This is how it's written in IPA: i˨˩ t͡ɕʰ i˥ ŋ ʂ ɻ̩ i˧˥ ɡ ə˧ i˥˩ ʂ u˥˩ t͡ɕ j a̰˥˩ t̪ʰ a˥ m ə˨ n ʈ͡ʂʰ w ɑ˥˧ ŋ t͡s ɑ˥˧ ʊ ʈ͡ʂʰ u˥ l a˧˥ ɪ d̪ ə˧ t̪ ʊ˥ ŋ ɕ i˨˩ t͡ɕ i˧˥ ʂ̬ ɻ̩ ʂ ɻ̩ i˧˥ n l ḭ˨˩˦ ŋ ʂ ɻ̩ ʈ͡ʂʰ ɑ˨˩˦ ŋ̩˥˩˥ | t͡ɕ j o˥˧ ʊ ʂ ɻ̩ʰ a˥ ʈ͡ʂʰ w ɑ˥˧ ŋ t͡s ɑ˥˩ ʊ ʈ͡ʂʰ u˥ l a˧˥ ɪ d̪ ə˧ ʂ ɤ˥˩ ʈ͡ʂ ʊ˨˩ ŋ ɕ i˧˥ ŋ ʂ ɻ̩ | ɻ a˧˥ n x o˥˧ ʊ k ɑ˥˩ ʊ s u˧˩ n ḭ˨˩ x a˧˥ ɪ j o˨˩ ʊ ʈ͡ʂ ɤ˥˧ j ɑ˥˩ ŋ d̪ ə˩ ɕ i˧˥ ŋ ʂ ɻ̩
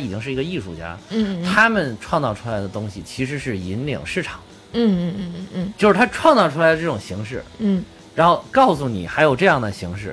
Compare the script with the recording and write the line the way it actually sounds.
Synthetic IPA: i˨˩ t͡ɕ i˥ ŋ ʂ ɻ̩ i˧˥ ɡ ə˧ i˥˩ ʂ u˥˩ t͡ɕ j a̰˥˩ t̪ʰ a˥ m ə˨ n ʈ͡ʂʰ w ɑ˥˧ ŋ t͡s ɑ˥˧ ʊ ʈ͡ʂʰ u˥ l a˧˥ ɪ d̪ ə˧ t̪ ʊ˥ ŋ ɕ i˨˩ t͡ɕʰ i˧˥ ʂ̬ ɻ̩ ʂ ɻ̩ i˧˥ n l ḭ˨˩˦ ŋ ʂ ɻ̩ ʈ͡ʂʰ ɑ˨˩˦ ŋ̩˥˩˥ | t͡ɕ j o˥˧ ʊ ʂ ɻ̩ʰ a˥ ʈ͡ʂʰ w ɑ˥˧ ŋ t͡s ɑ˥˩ ʊ ʈ͡ʂʰ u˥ l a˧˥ ɪ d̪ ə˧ ʈ͡ʂ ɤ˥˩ ʈ͡ʂ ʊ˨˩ ŋ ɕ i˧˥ ŋ ʂ ɻ̩ | ɻ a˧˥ n x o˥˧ ʊ k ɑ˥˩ ʊ s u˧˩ n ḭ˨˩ x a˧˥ ɪ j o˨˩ ʊ ʈ͡ʂ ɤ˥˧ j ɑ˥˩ ŋ d̪ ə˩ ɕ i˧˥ ŋ ʂ ɻ̩